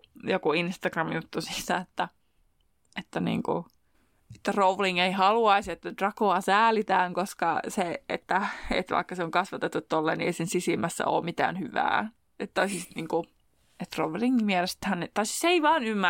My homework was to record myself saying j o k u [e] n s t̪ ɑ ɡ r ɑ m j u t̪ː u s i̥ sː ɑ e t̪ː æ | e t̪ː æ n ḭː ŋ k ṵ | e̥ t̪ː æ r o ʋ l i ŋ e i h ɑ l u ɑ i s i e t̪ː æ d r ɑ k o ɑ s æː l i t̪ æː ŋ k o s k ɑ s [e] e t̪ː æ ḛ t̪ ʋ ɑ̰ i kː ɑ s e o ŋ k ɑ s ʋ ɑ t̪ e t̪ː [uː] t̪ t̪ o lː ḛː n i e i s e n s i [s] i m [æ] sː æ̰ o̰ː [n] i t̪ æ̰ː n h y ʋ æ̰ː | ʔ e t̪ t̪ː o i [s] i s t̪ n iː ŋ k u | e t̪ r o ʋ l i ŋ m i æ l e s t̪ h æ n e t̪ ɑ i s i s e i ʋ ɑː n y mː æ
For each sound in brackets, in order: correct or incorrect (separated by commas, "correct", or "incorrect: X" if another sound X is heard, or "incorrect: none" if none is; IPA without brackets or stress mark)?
incorrect: i, correct, incorrect: u, correct, correct, incorrect: m, correct